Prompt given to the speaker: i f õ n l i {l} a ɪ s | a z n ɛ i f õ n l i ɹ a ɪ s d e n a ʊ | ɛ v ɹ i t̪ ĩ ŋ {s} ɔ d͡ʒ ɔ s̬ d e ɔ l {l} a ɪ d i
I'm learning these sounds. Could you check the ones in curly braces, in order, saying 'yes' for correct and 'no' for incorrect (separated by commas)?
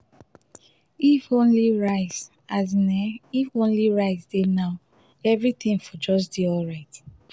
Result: no, no, no